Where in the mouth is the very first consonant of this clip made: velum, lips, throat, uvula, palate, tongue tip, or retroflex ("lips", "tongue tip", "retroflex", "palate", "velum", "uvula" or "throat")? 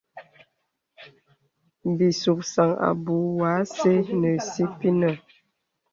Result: lips